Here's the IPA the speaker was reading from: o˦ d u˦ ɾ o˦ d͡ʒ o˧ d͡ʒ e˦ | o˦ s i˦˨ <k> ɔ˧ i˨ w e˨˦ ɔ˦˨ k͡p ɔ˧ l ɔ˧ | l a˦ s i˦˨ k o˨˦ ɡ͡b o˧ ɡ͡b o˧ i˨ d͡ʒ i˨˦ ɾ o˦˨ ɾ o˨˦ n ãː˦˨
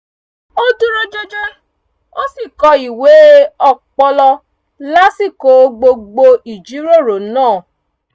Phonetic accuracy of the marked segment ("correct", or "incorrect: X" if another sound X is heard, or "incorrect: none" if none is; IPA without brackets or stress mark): correct